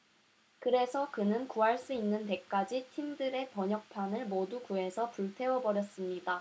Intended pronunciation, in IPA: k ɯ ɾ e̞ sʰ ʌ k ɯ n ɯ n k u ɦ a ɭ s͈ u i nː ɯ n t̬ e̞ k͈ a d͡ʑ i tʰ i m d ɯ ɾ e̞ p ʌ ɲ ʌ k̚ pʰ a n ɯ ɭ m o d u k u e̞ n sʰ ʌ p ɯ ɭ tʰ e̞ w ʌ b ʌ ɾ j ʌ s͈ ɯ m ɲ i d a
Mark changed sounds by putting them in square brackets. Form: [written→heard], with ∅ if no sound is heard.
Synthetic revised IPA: k ɯ ɾ e̞ sʰ ʌ k ɯ n ɯ n k u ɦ a ɭ s͈ u i nː ɯ n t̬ e̞ k͈ a d͡ʑ i tʰ i m d ɯ ɾ e̞ p ʌ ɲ ʌ k̚ pʰ a n ɯ ɭ m o d u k u e̞ [n→∅] sʰ ʌ p [ɯ→u] ɭ tʰ e̞ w ʌ b ʌ ɾ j ʌ s͈ ɯ m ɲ i d a